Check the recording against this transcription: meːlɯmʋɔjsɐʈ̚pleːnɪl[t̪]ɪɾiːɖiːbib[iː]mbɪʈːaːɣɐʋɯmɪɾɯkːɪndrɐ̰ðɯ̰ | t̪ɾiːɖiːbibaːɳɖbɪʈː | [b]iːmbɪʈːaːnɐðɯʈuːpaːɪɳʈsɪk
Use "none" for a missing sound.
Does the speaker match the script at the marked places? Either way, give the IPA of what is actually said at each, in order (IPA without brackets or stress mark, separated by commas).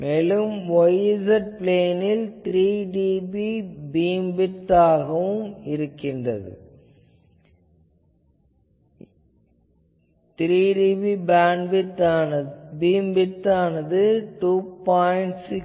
t̪, iː, b